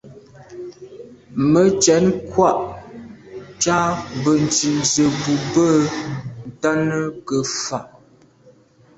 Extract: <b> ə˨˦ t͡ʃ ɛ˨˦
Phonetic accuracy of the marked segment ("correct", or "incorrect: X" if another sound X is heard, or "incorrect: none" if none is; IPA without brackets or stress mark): incorrect: m